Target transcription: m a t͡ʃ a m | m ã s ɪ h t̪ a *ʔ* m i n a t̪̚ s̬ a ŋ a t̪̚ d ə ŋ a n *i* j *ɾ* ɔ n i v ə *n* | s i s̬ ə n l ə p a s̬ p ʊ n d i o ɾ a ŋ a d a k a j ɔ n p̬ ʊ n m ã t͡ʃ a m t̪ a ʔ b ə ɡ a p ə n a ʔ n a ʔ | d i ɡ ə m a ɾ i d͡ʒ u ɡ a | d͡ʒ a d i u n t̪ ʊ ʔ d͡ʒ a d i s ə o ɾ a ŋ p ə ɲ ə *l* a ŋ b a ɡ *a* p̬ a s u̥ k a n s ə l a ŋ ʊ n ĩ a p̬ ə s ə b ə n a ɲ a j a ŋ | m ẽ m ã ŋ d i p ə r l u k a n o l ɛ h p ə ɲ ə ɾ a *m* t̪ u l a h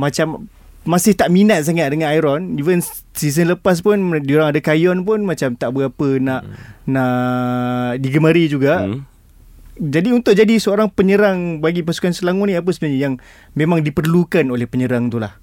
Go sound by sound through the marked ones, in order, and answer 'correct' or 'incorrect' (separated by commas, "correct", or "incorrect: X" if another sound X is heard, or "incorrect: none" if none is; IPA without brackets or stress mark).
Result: correct, incorrect: a, correct, correct, incorrect: ɾ, incorrect: i, incorrect: ŋ